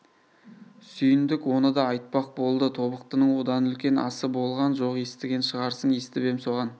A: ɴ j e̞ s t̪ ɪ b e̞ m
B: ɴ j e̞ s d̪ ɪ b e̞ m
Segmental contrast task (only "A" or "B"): A